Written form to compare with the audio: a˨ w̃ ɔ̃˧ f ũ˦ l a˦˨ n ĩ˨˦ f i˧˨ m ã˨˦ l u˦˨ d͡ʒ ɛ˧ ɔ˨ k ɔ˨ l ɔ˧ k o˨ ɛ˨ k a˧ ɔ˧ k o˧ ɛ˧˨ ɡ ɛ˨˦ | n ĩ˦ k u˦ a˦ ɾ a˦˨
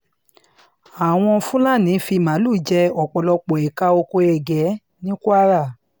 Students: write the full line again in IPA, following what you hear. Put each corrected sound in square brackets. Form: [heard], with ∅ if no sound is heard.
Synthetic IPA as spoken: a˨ w̃ ɔ̃˧ f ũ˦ l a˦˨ n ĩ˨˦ f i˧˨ m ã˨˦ l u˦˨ d͡ʒ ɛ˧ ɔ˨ [k͡p] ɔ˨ l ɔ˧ [k͡p] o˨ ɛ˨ k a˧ [o˧] k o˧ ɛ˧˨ ɡ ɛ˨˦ | n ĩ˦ k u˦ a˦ ɾ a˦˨